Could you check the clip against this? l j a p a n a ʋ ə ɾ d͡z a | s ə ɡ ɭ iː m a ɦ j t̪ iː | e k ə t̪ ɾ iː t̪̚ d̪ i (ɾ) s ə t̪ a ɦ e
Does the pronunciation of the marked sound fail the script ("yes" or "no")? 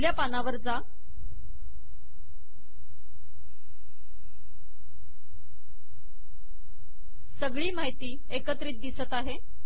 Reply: yes